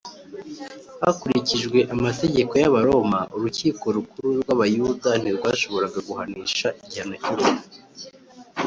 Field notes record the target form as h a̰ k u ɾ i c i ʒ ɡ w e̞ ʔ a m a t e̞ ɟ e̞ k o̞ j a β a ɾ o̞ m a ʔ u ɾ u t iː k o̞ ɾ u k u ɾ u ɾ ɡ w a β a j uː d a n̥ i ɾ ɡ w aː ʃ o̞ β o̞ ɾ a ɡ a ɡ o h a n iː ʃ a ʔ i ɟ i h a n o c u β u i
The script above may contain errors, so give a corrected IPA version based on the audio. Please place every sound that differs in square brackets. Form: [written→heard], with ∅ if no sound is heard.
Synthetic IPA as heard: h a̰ k u ɾ i c i ʒ ɡ w e̞ ʔ a m a t e̞ ɟ e̞ k o̞ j a β a ɾ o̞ m a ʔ u ɾ u [t→c] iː k o̞ ɾ u k u ɾ u ɾ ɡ w a β a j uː d a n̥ i ɾ ɡ w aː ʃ o̞ β o̞ ɾ a ɡ a ɡ [o→u] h a n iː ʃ a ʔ i ɟ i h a n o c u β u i